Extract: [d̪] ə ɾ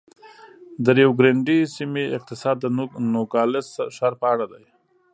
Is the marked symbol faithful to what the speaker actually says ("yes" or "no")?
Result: yes